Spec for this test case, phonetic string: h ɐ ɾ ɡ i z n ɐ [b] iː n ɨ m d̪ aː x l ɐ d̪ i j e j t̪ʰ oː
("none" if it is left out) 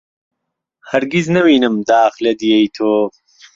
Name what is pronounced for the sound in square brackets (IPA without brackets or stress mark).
w